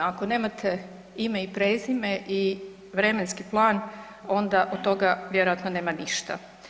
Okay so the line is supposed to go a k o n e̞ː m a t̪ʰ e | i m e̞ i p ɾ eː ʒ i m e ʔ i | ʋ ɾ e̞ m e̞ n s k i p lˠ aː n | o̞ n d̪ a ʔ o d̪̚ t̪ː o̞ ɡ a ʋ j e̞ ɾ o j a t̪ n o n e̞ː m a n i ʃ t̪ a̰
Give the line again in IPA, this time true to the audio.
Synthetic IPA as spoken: a k o n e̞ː m a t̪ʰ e | i m e̞ i p ɾ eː z i m e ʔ i | ʋ ɾ e̞ m e̞ n s k i p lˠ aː n | o̞ n d̪ a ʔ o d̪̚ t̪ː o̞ ɡ a ʋ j e̞ ɾ o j a t̪ n o n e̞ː m a n i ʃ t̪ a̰